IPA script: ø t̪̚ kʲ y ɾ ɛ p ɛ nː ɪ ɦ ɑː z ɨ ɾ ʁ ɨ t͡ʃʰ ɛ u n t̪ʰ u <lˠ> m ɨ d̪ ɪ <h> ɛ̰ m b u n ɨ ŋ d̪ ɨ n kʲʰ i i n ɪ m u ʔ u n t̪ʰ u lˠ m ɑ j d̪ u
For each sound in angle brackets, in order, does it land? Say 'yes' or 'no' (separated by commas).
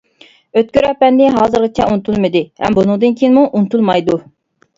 yes, yes